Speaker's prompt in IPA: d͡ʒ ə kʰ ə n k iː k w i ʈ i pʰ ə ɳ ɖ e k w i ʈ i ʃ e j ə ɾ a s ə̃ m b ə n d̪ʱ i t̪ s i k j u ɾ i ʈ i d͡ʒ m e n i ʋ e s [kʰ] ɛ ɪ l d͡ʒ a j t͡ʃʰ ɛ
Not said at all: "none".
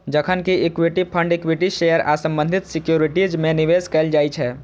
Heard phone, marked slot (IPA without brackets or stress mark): k